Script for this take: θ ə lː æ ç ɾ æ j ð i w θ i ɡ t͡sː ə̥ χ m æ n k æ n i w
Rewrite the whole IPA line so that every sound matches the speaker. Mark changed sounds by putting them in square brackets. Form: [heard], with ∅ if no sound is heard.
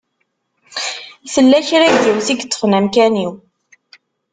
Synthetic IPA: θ ə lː æ ç ɾ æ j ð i w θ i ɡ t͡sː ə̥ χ [n] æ [m] k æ n i w